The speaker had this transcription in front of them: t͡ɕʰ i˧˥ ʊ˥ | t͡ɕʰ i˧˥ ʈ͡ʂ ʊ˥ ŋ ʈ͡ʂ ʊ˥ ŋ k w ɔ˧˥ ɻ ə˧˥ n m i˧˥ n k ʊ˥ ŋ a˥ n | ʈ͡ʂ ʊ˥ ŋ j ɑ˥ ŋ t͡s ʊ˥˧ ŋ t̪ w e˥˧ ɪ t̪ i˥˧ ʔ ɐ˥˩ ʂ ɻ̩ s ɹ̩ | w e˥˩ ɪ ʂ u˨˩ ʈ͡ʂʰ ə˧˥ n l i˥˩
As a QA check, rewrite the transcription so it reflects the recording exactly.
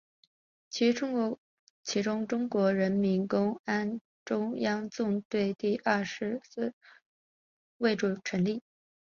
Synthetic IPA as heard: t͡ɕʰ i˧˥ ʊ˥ | t͡ɕʰ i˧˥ ʈ͡ʂ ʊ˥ ŋ ʈ͡ʂ ʊ˥ ŋ k w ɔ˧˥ ɻ ə˧˥ n m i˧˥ n k ʊ˥ ŋ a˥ n | ʈ͡ʂ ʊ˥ ŋ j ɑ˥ ŋ t͡s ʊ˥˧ ŋ t̪ w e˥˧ ɪ t̪ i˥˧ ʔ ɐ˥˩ ʂ ɻ̩ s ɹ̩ | w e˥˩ ɪ ʈ͡ʂ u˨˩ ʈ͡ʂʰ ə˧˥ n l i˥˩

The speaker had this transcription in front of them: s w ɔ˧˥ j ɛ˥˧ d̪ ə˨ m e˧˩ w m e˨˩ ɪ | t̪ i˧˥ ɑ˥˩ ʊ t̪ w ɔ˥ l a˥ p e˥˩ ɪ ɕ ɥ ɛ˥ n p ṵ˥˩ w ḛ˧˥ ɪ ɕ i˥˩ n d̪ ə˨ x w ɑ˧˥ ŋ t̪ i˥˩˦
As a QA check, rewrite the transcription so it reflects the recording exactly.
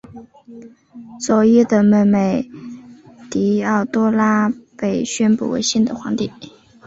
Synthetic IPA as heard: s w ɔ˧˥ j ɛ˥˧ d̪ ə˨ m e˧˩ m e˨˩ ɪ | t̪ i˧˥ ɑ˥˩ ʊ t̪ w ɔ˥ l a˥ p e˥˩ ɪ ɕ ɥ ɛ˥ n p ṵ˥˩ w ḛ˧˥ ɪ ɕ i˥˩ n d̪ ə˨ x w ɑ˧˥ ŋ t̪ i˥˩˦

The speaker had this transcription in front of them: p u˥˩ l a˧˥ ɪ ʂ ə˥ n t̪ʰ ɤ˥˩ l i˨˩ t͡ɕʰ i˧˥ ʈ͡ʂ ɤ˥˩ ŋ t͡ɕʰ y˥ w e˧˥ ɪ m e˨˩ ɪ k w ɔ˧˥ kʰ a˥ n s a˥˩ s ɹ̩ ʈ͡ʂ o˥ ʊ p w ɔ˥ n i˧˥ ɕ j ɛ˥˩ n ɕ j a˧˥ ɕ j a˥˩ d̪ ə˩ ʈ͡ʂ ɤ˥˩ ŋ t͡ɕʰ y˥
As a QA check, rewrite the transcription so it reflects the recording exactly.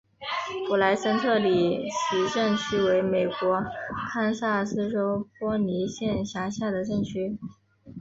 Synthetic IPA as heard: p u˨˩ l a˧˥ ɪ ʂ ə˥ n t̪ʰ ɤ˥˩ l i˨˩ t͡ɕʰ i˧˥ ʈ͡ʂ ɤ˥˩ ŋ t͡ɕʰ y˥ w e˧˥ ɪ m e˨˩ ɪ k w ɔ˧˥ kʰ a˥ n s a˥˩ s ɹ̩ ʈ͡ʂ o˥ ʊ p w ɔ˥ n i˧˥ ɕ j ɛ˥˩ n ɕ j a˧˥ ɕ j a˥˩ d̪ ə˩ ʈ͡ʂ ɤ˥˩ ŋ t͡ɕʰ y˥

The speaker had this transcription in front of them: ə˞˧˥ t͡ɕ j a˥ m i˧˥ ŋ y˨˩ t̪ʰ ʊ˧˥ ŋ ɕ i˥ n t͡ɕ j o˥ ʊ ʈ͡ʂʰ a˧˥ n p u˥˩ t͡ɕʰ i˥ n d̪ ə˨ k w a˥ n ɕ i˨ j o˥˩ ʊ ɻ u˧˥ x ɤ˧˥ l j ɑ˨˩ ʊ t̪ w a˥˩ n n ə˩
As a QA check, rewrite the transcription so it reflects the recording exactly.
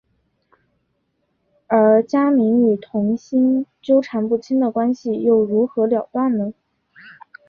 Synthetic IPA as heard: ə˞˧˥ t͡ɕ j a˥ m i˧˥ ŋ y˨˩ t̪ʰ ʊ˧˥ ŋ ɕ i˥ n t͡ɕ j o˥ ʊ ʈ͡ʂʰ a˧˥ n p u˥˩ t͡ɕʰ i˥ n d̪ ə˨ k w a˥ n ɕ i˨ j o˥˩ ʊ ɻ u˧˥ x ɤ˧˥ l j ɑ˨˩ ʊ t̪ w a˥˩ n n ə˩

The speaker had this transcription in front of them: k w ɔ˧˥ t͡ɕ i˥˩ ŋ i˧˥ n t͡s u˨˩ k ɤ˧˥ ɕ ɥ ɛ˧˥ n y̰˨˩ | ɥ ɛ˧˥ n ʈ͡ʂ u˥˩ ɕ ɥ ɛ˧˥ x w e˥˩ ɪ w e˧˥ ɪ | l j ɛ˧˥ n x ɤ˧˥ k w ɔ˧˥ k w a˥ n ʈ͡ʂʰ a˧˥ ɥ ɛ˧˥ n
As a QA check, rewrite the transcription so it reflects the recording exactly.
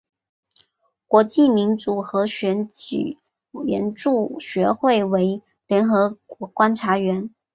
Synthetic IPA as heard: k w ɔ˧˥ t͡ɕ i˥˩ m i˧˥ n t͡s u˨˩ x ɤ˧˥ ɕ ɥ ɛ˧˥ n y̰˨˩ | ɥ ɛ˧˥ n ʈ͡ʂ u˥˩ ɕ ɥ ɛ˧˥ x w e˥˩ ɪ w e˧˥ ɪ | l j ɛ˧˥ n x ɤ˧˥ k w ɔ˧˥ k w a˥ n ʈ͡ʂʰ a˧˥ ɥ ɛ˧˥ n

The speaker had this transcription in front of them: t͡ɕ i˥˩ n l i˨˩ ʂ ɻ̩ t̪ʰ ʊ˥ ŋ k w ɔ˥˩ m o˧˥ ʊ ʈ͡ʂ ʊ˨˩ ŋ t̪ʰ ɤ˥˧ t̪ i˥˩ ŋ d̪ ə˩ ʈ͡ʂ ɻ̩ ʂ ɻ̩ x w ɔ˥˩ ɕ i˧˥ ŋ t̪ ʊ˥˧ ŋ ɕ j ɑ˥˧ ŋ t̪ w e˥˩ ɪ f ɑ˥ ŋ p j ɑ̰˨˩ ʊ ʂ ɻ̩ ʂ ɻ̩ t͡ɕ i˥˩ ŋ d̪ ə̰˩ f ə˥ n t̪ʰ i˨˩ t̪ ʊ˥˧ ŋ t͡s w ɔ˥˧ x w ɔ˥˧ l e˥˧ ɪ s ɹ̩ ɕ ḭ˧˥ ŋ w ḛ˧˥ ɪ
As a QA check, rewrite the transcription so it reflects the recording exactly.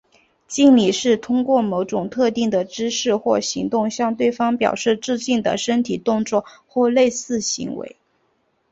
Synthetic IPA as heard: t͡ɕ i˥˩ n l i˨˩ ʂ ɻ̩ t̪ʰ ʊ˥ ŋ k w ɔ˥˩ m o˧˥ ʊ ʈ͡ʂ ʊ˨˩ ŋ t̪ʰ ɤ˥˧ t̪ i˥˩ ŋ d̪ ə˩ ʈ͡ʂ ɻ̩ ʂ ɻ̩ x w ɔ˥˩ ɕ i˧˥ ŋ t̪ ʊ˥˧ ŋ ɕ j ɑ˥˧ ŋ t̪ w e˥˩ ɪ f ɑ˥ ŋ p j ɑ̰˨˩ ʊ ʂ ɻ̩ ʈ͡ʂ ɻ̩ t͡ɕ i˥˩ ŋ d̪ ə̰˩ ʂ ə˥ n t̪ʰ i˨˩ t̪ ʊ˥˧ ŋ t͡s w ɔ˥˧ x w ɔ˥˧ l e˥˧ ɪ s ɹ̩ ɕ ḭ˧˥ ŋ w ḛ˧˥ ɪ

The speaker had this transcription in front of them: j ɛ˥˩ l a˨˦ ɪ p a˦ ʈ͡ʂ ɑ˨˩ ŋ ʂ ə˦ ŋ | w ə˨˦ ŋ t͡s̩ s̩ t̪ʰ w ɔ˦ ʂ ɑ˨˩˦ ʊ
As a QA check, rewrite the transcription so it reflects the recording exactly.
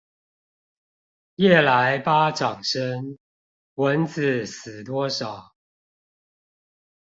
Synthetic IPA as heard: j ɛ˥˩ l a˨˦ ɪ p a˦ ʈ͡ʂ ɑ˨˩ ŋ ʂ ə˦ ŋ | w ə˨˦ n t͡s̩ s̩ t̪ w ɔ˦ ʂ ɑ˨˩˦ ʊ

